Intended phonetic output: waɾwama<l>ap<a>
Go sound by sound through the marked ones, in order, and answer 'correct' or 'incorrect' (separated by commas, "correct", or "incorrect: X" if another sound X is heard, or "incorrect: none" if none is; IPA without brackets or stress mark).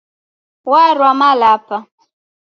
correct, correct